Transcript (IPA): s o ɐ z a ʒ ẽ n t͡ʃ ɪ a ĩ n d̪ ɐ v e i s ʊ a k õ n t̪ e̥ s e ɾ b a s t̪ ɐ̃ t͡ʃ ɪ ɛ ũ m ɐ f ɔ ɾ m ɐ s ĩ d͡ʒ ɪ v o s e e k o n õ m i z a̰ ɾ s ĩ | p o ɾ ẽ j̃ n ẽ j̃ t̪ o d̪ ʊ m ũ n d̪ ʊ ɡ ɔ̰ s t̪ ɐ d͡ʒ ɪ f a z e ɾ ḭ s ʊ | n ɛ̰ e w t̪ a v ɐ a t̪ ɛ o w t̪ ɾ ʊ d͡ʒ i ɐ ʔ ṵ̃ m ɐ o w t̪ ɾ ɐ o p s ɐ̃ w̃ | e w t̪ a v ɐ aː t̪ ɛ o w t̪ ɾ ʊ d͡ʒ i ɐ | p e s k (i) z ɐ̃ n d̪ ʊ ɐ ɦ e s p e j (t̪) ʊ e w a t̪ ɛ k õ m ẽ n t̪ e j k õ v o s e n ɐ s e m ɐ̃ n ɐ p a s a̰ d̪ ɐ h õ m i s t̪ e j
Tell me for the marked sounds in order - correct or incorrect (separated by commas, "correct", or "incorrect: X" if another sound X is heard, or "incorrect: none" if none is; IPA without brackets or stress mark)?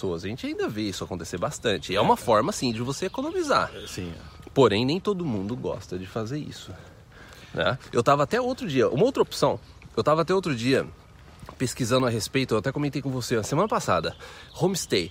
correct, correct